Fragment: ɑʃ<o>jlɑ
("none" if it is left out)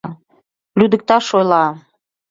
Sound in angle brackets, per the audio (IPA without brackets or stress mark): o